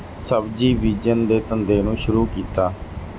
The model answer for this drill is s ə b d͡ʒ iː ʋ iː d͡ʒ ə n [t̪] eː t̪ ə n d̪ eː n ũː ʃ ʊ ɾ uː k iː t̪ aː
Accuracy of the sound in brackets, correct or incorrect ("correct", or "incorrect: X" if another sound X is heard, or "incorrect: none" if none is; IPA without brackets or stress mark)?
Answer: incorrect: d̪